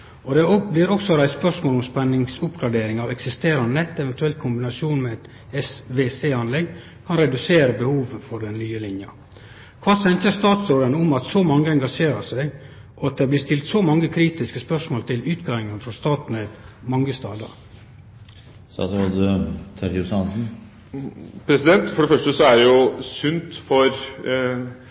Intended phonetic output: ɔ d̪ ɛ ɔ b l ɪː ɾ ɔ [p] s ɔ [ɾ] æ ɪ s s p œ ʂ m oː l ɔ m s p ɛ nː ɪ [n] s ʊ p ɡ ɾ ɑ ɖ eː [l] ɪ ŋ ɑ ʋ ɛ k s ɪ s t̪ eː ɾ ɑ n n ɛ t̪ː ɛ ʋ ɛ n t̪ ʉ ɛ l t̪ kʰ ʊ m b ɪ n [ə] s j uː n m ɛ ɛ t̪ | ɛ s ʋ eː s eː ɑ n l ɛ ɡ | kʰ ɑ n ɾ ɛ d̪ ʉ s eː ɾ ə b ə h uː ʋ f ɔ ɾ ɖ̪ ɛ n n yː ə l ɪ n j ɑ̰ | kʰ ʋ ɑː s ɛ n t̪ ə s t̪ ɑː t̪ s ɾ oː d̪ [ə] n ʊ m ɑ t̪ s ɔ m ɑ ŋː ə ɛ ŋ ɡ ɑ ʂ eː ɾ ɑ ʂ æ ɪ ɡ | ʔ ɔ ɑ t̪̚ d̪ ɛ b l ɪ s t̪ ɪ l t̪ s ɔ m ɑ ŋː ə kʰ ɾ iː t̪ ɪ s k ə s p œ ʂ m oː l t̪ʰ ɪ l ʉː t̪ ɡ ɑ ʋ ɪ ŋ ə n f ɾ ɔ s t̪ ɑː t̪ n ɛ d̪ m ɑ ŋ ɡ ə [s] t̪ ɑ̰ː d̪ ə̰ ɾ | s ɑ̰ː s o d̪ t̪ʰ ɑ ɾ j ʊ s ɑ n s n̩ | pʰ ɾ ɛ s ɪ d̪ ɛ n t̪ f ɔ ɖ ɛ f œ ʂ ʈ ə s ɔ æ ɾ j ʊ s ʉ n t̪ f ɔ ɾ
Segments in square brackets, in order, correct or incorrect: incorrect: k, correct, incorrect: ŋ, incorrect: ɾ, incorrect: ɑ, correct, correct

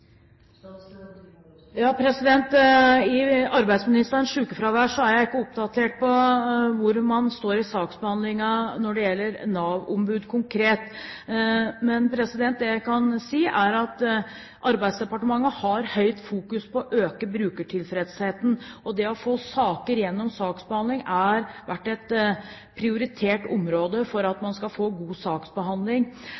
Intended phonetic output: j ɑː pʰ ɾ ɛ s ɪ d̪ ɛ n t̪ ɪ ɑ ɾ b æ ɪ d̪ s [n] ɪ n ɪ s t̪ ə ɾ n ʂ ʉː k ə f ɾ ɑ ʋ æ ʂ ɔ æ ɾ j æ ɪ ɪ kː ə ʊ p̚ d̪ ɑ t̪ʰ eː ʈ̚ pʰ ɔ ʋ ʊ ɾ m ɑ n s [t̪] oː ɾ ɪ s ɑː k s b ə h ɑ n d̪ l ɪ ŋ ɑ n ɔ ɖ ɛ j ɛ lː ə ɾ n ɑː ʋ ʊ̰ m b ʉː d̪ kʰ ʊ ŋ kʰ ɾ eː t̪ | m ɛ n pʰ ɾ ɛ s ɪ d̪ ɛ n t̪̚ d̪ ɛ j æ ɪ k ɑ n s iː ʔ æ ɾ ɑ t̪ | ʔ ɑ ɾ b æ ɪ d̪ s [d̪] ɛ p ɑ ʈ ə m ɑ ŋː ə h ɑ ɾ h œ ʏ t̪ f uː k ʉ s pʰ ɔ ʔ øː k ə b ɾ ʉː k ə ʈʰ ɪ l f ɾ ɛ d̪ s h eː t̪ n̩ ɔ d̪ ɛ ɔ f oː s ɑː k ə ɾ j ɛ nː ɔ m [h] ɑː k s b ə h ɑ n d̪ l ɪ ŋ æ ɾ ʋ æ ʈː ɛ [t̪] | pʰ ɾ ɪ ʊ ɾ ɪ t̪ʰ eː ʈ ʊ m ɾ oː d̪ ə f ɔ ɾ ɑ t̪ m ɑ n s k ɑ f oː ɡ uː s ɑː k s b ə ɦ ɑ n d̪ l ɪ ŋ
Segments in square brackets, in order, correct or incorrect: incorrect: m, correct, correct, incorrect: s, correct

